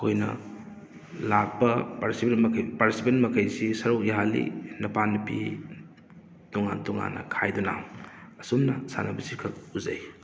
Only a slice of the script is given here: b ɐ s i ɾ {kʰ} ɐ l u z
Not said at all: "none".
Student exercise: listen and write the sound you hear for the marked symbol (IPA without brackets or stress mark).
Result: kʰ